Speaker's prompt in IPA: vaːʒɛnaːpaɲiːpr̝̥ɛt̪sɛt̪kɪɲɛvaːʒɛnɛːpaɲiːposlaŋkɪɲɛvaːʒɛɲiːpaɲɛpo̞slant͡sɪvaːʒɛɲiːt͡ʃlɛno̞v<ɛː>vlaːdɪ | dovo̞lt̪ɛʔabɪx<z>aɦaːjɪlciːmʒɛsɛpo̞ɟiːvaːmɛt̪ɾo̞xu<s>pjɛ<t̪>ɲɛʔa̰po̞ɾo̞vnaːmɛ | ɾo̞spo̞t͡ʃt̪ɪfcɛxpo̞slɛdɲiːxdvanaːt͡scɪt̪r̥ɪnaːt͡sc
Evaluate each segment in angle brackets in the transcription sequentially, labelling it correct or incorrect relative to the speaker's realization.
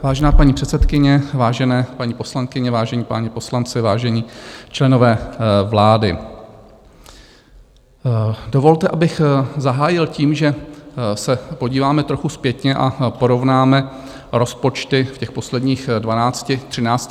correct, correct, correct, correct

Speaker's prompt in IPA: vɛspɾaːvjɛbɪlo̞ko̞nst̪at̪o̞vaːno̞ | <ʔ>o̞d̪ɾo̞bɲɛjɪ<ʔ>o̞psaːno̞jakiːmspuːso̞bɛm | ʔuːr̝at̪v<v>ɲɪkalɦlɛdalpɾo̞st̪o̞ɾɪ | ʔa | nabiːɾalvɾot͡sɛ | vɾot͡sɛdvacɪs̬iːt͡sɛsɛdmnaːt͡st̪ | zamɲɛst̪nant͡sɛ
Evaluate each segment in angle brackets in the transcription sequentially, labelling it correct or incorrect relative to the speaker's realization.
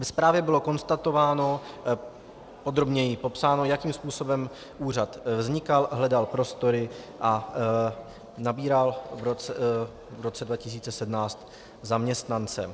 incorrect: p, incorrect: p, incorrect: z

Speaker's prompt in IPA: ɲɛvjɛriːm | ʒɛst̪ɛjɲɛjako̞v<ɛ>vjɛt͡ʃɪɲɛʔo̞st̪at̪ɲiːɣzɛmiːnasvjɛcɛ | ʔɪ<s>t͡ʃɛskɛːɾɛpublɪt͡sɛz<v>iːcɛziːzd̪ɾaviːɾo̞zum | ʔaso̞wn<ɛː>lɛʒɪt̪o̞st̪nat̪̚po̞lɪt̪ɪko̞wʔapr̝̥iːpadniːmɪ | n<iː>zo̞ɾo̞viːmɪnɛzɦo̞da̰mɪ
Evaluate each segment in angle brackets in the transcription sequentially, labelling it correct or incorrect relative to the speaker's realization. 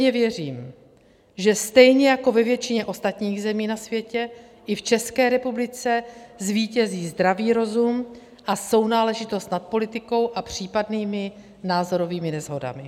correct, incorrect: f, correct, incorrect: aː, incorrect: aː

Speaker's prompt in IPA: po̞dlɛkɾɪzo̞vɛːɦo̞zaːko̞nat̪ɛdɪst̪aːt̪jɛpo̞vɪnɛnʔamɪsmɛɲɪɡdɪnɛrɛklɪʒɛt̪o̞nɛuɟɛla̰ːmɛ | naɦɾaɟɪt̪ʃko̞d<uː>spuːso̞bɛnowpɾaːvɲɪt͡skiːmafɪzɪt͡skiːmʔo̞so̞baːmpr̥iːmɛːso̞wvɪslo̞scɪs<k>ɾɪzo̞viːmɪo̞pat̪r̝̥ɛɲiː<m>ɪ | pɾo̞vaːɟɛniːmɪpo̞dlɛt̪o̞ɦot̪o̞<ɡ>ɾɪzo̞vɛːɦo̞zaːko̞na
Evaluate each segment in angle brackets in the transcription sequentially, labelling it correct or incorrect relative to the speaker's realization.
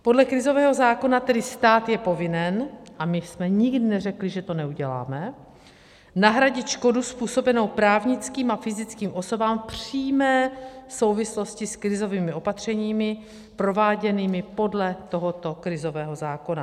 incorrect: u, correct, correct, incorrect: k

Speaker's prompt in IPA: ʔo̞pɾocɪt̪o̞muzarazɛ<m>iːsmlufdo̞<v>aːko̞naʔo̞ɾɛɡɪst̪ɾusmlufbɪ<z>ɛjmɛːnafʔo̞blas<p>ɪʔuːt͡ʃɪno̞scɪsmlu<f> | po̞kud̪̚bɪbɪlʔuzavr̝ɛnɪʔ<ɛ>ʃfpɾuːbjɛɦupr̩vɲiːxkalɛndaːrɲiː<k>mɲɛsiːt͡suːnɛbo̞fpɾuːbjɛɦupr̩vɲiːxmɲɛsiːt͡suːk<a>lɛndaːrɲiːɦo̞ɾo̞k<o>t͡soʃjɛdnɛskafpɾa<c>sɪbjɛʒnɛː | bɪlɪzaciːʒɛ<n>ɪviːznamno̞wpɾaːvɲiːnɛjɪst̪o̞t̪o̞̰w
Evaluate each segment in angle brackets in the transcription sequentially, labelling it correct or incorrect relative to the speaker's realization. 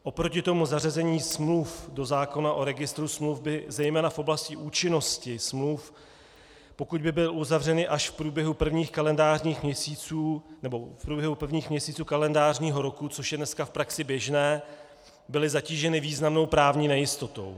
incorrect: ɲ, incorrect: z, correct, incorrect: c, correct, incorrect: a, incorrect: x, correct, incorrect: u, incorrect: k, correct

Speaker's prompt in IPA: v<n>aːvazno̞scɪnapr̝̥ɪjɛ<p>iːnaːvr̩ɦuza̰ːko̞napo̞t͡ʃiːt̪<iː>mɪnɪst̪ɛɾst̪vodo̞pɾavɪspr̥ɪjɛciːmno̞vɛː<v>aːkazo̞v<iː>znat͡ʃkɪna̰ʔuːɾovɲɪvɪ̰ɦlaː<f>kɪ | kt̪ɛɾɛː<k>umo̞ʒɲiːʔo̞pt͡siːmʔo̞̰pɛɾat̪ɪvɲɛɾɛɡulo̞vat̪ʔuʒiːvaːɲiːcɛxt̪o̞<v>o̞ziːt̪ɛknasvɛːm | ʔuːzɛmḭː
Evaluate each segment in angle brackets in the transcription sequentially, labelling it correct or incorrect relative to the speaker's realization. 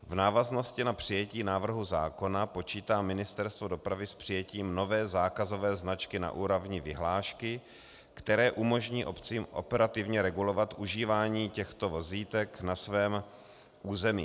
correct, incorrect: c, incorrect: aː, incorrect: z, incorrect: ɛː, incorrect: ʃ, incorrect: ʔ, correct

